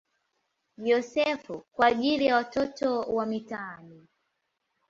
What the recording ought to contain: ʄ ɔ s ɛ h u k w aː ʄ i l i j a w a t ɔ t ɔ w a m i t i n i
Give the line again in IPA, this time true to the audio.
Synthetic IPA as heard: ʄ ɔ s ɛ f u k w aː ʄ i l i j a w a t ɔ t ɔ w a m i t a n i